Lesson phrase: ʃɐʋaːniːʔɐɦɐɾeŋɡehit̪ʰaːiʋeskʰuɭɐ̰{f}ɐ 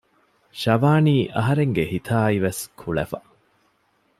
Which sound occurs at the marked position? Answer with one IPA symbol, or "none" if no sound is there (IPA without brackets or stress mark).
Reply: f